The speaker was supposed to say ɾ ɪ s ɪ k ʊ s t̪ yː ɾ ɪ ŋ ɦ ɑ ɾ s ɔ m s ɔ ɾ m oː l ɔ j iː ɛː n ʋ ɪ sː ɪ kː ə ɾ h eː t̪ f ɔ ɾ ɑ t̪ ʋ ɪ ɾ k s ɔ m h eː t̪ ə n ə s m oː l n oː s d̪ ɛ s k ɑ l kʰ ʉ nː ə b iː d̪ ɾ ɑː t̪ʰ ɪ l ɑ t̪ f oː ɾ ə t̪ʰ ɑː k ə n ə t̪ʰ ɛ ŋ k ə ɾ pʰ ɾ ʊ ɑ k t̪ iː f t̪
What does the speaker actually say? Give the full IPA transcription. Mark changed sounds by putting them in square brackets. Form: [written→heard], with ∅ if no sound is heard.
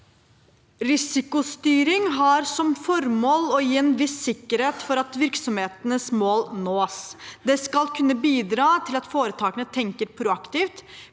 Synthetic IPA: ɾ ɪ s ɪ k ʊ s t̪ yː ɾ ɪ ŋ ɦ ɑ ɾ s ɔ m [s→f] ɔ ɾ m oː l ɔ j iː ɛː n ʋ ɪ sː ɪ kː ə ɾ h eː t̪ f ɔ ɾ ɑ t̪ ʋ ɪ ɾ k s ɔ m h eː t̪ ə n ə s m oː l n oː s d̪ ɛ s k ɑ l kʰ ʉ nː ə b iː d̪ ɾ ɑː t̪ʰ ɪ l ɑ t̪ f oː ɾ ə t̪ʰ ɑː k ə n ə t̪ʰ ɛ ŋ k ə ɾ pʰ ɾ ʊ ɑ k t̪ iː f t̪